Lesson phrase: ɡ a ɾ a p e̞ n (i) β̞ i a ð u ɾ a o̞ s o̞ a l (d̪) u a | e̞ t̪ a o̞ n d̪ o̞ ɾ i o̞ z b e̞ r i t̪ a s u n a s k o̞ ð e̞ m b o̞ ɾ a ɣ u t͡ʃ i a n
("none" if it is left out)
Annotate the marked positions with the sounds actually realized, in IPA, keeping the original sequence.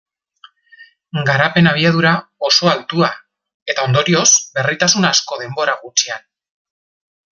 a, t̪

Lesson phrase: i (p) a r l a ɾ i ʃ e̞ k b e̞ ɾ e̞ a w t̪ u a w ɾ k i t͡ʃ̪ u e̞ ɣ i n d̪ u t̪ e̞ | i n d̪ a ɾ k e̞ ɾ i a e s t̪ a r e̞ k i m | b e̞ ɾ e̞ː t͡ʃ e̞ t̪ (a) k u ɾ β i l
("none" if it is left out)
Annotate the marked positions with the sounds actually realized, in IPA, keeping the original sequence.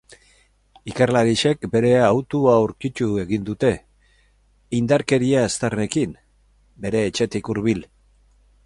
k, i

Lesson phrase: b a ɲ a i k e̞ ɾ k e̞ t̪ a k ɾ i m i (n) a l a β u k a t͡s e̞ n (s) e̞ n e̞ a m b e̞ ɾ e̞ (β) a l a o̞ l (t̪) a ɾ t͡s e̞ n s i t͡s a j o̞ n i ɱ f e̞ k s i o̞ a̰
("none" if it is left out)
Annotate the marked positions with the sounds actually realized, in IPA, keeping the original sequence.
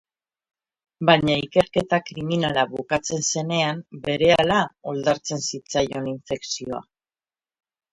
n, s, none, d̪

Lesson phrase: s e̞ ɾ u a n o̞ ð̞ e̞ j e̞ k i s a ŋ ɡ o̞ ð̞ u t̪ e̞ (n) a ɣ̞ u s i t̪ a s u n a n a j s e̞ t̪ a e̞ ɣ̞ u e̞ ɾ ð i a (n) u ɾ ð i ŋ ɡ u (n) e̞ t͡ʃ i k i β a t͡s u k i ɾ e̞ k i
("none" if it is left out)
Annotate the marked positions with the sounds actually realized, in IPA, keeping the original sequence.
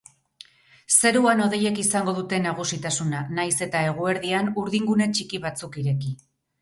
n, n, n

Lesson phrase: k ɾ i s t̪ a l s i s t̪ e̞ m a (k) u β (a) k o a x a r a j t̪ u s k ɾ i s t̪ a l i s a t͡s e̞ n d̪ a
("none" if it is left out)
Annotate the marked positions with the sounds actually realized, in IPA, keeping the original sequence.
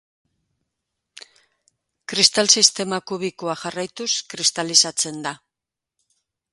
k, i

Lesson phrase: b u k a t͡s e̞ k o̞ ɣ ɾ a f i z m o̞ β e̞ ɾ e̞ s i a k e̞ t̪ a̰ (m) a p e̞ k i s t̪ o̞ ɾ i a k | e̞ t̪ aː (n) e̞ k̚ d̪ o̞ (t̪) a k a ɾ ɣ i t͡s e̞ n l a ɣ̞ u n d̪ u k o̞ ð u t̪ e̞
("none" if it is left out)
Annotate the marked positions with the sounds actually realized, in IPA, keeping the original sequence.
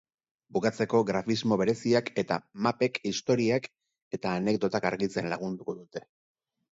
m, n, t̪

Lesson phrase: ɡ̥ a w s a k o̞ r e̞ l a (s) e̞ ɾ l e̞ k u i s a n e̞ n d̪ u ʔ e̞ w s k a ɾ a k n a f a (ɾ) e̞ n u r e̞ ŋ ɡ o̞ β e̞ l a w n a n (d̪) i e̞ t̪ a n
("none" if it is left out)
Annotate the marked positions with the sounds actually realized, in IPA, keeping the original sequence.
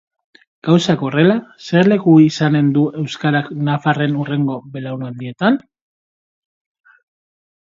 s, r, d̪

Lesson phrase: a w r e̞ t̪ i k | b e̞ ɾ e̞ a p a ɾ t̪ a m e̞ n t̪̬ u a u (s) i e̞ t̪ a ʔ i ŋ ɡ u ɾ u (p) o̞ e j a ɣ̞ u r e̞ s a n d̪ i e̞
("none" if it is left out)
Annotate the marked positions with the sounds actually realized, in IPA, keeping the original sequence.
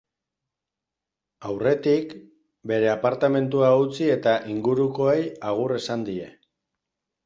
t͡s, k

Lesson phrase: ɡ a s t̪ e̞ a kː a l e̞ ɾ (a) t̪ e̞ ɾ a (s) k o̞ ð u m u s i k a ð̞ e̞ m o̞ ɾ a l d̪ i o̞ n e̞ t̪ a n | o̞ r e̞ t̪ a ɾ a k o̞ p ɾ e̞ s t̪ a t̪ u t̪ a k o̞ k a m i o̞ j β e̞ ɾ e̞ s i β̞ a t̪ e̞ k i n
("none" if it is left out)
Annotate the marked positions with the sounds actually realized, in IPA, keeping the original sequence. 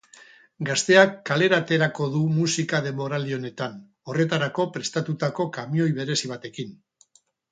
a, none

